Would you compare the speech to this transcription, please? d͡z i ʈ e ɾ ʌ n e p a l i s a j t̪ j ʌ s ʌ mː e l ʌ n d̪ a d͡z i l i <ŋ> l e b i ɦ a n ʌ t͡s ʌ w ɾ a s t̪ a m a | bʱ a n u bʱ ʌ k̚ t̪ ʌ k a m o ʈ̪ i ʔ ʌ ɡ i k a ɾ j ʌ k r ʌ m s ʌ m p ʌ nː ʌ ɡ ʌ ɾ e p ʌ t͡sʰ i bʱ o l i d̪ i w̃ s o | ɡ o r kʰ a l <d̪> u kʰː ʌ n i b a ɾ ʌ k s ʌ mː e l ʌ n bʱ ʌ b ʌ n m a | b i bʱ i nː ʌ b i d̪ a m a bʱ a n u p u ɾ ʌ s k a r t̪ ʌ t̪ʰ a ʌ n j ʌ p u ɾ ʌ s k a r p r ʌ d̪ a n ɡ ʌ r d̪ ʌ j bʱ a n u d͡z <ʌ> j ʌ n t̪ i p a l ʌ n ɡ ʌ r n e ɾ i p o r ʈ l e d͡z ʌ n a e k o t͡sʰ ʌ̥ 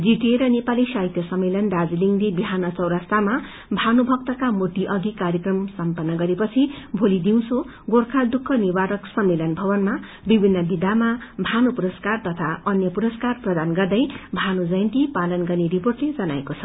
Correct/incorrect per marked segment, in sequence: correct, correct, correct

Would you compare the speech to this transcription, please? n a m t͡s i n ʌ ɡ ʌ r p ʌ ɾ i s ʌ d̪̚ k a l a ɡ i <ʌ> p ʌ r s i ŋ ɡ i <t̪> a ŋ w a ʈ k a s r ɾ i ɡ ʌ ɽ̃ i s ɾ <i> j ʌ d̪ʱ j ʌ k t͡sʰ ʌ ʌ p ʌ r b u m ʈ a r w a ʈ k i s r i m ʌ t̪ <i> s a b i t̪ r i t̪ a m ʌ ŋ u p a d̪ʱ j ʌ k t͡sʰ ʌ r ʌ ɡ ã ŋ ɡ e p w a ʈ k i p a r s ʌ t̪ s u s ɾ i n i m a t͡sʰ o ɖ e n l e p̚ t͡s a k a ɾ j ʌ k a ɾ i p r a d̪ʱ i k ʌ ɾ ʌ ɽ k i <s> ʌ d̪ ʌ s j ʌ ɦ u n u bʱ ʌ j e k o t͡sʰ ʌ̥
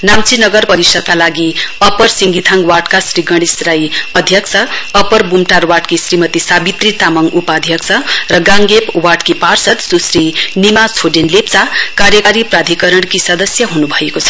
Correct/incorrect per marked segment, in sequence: correct, incorrect: t̪ʰ, incorrect: a, correct, correct

